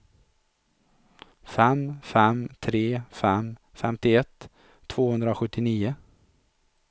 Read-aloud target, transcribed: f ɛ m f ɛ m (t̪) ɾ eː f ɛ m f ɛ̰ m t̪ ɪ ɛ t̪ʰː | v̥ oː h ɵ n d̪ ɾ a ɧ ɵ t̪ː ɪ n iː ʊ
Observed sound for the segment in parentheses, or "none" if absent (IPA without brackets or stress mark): t̪ʰ